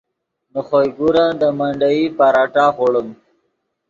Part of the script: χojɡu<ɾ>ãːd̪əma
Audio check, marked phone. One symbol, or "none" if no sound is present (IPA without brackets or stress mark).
ɾ